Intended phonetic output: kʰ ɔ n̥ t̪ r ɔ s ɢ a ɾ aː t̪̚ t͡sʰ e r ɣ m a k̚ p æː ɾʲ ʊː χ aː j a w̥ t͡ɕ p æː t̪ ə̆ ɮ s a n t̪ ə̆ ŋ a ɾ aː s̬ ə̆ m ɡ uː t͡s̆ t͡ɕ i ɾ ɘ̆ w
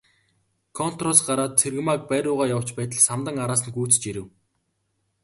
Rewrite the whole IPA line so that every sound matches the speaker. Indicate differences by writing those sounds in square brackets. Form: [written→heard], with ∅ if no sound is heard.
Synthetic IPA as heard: kʰ ɔ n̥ t̪ r ɔ s ɢ a ɾ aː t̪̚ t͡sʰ e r ɣ m a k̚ p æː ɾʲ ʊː [χ→ʁ] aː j a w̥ t͡ɕ p æː t̪ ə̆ ɮ s a [n→m] t̪ ə̆ ŋ a ɾ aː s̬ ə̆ [m→n] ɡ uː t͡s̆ t͡ɕ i ɾ ɘ̆ w